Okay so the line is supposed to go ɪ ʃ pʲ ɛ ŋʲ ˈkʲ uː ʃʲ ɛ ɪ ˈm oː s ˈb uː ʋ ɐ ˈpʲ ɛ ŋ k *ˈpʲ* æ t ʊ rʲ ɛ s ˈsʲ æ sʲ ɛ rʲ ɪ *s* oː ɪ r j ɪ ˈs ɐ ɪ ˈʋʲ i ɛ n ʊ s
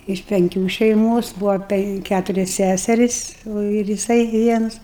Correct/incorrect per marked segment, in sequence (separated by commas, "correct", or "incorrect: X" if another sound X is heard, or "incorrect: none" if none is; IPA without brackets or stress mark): incorrect: kʲ, correct